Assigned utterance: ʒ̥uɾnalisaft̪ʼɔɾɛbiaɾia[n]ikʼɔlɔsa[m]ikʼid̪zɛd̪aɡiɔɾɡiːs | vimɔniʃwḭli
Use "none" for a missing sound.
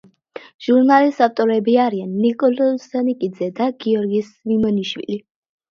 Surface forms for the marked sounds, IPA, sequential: nː, n

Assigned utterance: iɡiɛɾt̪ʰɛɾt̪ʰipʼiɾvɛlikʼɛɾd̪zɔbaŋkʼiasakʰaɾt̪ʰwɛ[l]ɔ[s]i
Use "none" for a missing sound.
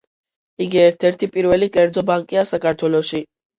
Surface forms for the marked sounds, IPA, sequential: l, ʃ

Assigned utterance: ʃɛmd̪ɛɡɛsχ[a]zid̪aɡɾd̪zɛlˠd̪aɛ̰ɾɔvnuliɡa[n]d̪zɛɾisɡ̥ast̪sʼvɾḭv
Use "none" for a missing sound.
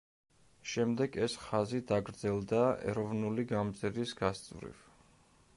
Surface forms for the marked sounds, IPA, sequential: a, m

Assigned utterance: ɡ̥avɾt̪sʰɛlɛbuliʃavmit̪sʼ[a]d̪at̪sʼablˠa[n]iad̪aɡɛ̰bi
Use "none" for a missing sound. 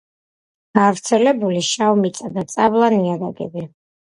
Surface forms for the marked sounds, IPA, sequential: a, n

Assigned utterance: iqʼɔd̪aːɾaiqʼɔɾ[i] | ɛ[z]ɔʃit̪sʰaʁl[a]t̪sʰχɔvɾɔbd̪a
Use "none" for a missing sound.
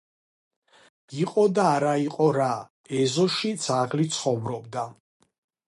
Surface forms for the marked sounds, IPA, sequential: a, z, i

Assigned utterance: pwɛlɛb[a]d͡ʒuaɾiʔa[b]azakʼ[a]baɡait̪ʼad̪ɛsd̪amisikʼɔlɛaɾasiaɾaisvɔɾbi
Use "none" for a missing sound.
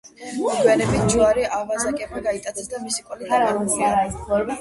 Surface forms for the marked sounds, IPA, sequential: i, v, ɛ

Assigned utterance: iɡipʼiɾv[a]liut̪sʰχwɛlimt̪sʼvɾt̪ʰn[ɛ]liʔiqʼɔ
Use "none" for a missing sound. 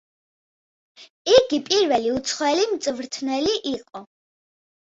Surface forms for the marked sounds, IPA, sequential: ɛ, ɛ

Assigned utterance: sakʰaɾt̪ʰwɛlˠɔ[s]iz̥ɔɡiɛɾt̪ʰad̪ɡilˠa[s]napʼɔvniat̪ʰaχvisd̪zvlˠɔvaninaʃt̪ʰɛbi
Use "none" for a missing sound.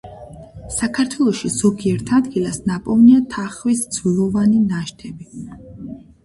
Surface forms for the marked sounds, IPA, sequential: ʃ, s

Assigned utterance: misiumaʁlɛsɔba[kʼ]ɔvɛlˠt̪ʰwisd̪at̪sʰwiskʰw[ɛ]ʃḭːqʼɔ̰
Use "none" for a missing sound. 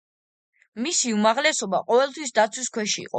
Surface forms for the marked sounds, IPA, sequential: qʼ, ɛ

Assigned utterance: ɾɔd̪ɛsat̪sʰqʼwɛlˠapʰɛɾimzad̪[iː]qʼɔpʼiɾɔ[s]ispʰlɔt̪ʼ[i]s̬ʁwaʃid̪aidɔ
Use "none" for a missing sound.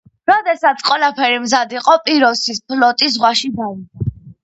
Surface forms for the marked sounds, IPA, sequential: i, s, i

